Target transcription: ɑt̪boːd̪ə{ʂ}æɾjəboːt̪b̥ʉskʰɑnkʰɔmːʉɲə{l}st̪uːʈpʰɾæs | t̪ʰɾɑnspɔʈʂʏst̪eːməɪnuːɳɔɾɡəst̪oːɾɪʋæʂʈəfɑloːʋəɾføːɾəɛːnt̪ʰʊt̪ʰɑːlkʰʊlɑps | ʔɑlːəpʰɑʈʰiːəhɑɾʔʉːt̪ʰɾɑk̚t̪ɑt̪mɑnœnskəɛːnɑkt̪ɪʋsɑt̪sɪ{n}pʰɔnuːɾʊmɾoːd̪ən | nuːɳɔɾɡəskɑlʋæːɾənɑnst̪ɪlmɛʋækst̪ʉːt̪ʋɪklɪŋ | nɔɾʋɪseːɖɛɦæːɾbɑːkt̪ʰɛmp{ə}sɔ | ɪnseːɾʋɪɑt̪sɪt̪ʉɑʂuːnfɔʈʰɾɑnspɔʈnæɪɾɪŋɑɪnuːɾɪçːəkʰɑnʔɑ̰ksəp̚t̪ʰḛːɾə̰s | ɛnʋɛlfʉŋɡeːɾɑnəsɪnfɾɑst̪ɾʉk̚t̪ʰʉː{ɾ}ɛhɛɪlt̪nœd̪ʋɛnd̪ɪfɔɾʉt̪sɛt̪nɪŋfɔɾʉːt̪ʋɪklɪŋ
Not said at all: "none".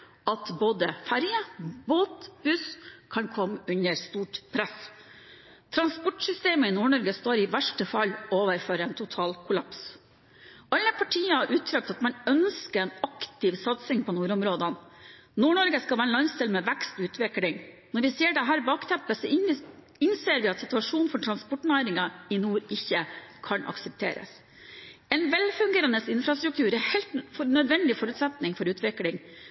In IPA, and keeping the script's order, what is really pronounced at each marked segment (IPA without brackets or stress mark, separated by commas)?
f, ɾ, ŋ, ə, ɾ